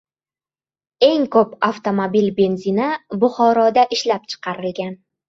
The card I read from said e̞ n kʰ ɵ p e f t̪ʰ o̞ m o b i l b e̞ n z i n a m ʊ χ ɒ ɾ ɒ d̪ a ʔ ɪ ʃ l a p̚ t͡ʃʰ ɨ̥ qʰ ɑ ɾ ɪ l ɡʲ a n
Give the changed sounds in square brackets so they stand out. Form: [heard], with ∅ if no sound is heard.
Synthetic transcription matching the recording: e̞ [ŋ] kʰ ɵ p [a] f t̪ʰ o̞ m o b i l b e̞ n z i n a [b] ʊ χ ɒ ɾ ɒ d̪ a ʔ ɪ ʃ l a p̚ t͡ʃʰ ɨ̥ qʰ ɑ ɾ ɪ l ɡʲ a n